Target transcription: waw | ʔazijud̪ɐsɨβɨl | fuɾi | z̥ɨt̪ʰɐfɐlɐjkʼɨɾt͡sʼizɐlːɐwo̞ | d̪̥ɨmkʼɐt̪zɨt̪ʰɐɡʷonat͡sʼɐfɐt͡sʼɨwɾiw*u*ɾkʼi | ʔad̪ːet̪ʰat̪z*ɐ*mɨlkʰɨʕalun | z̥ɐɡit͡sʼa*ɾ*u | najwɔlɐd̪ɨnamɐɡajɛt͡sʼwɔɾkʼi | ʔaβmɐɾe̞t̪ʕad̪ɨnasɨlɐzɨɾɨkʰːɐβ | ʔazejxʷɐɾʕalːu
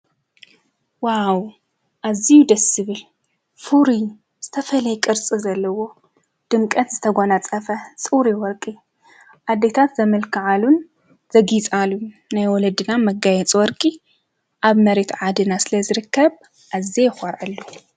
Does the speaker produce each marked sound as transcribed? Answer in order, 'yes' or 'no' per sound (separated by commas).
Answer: no, yes, no